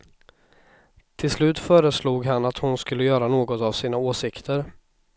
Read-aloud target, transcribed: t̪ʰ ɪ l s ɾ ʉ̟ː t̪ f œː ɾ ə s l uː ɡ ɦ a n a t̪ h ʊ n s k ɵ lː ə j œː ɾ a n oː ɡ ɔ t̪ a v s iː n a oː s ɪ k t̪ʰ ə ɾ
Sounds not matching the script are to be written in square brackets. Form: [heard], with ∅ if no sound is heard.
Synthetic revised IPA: t̪ʰ ɪ l s [l] ʉ̟ː t̪ f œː ɾ ə s l uː ɡ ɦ a n a t̪ h ʊ n s k ɵ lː ə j œː ɾ a n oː ɡ ɔ t̪ a v s iː n a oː s ɪ k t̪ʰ ə ɾ